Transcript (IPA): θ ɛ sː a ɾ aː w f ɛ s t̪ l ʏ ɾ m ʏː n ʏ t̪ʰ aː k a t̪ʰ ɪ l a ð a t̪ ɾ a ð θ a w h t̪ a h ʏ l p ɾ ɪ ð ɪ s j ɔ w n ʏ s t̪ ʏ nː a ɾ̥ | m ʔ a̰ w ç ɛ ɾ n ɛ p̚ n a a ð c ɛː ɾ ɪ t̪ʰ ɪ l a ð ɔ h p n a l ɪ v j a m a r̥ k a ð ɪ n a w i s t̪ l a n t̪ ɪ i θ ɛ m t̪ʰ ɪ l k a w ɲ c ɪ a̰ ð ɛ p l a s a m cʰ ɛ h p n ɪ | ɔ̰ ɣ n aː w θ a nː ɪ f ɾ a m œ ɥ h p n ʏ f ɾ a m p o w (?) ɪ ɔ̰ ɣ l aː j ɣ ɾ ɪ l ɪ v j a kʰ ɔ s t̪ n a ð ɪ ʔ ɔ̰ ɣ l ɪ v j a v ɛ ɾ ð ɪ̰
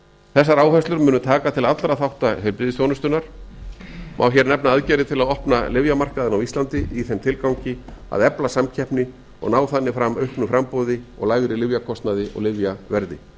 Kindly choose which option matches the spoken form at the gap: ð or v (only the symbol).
ð